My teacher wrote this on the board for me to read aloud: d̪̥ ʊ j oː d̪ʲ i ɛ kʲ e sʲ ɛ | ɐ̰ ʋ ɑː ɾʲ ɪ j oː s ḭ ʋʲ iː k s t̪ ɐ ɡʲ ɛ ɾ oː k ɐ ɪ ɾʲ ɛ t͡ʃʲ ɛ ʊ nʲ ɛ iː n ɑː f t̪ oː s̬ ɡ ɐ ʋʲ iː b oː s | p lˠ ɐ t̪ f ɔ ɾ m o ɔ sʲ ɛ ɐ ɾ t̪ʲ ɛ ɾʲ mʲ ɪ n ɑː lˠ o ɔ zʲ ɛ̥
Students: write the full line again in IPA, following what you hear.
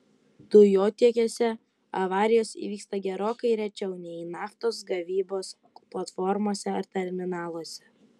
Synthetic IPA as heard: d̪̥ ʊ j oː t̪ʲ i ɛ kʲ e sʲ ɛ | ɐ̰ ʋ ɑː ɾʲ ɪ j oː s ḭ ʋʲ iː k s t̪ ɐ ɡʲ ɛ ɾ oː k ɐ ɪ ɾʲ ɛ t͡ʃʲ ɛ ʊ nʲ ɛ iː n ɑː f t̪ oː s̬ ɡ ɐ ʋʲ iː b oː s | p lˠ ɐ t̪ f ɔ ɾ m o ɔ sʲ ɛ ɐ ɾ t̪ʲ ɛ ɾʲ mʲ ɪ n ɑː lˠ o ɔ sʲ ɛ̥